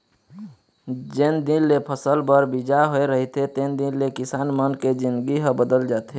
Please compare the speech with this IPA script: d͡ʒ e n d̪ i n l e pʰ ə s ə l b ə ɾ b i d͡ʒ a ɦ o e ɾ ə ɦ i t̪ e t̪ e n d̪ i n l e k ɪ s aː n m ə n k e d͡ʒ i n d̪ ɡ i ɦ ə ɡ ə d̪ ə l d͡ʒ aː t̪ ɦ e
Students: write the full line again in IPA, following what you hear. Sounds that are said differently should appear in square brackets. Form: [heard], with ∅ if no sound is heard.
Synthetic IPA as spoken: d͡ʒ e n d̪ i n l e pʰ ə s ə l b ə ɾ b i d͡ʒ a ɦ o e ɾ ə ɦ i t̪ e t̪ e n d̪ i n l e k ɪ s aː n m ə n k e d͡ʒ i n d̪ ɡ i ɦ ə [b] ə d̪ ə l d͡ʒ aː t̪ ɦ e